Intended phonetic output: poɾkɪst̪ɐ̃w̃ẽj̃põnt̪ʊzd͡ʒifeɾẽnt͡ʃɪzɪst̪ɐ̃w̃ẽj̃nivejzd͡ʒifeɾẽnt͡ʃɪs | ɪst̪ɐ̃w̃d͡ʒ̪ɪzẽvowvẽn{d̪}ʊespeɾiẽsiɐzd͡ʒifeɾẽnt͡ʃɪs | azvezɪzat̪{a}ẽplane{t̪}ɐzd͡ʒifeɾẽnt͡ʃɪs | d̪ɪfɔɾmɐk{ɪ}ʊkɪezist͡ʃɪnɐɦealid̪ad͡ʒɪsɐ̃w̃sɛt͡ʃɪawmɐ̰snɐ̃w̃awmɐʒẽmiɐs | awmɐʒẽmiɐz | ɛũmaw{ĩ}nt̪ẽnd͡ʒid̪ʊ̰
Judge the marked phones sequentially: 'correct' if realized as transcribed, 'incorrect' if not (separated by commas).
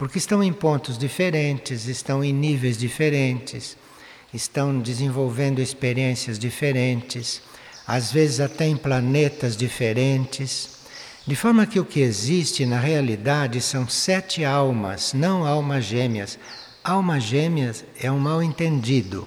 correct, incorrect, correct, correct, incorrect